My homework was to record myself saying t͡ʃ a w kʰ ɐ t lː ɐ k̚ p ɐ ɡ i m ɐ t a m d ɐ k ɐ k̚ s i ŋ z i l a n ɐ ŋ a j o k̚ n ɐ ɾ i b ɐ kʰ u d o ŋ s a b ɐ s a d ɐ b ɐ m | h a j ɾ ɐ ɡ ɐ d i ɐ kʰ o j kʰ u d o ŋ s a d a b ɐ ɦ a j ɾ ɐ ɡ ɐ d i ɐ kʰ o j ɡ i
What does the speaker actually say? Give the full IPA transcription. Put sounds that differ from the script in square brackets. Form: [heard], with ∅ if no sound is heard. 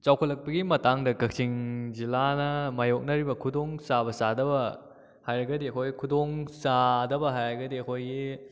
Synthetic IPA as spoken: t͡ʃ a w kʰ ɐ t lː ɐ k̚ p ɐ ɡ i m ɐ t a [ŋ] d ɐ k ɐ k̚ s i ŋ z i l a n ɐ [m] a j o k̚ n ɐ ɾ i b ɐ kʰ u d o ŋ s a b ɐ s a d ɐ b ɐ [∅] | h a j ɾ ɐ ɡ ɐ d i ɐ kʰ o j kʰ u d o ŋ s a d [ɐ] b ɐ ɦ a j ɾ ɐ ɡ ɐ d i ɐ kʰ o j ɡ i

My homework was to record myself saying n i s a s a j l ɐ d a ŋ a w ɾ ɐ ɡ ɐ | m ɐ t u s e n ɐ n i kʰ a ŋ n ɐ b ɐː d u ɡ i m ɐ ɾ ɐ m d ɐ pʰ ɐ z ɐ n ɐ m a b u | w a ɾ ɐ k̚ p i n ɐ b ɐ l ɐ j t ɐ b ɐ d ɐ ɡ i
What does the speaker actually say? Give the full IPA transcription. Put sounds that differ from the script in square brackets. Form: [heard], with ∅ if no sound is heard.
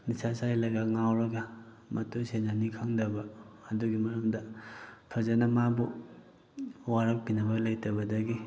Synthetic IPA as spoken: n i s a s a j l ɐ [ɡ] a ŋ a w ɾ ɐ ɡ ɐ | m ɐ t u s e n [a] n i kʰ a ŋ [d] ɐ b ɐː d u ɡ i m ɐ ɾ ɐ m d ɐ pʰ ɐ z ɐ n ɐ m a b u | w a ɾ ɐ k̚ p i n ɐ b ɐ l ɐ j t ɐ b ɐ d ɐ ɡ i

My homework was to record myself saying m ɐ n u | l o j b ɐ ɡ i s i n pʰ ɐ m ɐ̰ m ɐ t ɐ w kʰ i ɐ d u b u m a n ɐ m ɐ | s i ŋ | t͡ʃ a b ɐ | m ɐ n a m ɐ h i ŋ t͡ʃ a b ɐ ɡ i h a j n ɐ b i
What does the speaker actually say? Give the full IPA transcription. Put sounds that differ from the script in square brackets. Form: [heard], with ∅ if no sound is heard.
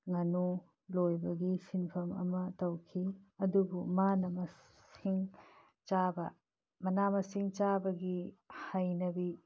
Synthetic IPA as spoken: [ŋ] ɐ n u | l o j b ɐ ɡ i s i n pʰ ɐ m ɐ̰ m ɐ t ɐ w kʰ i ɐ d u b u m a n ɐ m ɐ | s i ŋ | t͡ʃ a b ɐ | m ɐ n a m ɐ [s] i ŋ t͡ʃ a b ɐ ɡ i h a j n ɐ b i

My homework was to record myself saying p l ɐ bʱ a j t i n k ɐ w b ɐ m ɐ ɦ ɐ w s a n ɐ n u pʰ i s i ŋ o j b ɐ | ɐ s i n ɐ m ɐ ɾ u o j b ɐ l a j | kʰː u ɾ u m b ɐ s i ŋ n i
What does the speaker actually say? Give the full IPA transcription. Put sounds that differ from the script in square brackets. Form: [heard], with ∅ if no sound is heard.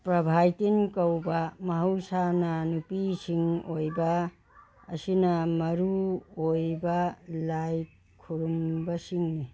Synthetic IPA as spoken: p [ɾ] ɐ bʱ a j t i n k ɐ w b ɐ m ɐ ɦ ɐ w s a n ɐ n u [p] i s i ŋ o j b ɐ | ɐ s i n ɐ m ɐ ɾ u o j b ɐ l a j | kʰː u ɾ u m b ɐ s i ŋ n i

